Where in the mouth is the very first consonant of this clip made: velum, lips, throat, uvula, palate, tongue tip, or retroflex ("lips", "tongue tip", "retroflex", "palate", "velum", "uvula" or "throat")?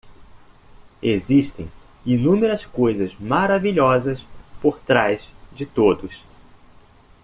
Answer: tongue tip